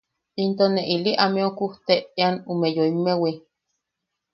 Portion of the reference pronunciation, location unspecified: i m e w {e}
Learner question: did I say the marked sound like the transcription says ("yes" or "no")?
no